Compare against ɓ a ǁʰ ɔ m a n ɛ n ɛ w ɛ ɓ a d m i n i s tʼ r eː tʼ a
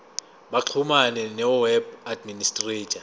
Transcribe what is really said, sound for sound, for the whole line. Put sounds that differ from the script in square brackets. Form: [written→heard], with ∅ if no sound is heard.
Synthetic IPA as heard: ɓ a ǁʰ [ɔ→u] m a n ɛ n ɛ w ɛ [ɓ→b] a d m i n i s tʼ r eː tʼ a